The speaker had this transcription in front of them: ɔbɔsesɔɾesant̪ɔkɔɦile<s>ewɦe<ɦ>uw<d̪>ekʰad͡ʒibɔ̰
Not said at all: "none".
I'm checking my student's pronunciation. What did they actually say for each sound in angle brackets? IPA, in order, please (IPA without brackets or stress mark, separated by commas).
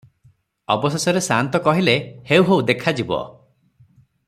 h, none, d̪